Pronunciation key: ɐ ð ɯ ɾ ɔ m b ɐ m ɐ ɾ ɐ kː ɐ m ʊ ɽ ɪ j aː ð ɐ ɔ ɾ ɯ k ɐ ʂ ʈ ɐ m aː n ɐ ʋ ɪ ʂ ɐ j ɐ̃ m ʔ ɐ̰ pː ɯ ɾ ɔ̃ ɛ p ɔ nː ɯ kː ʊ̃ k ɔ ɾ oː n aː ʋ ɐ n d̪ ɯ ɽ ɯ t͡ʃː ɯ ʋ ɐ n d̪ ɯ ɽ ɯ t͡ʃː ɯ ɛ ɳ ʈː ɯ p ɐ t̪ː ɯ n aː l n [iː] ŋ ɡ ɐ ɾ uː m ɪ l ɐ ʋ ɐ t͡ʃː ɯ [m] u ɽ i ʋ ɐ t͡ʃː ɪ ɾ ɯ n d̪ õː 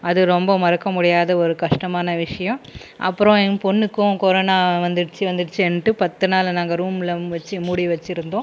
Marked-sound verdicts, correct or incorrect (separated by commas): incorrect, correct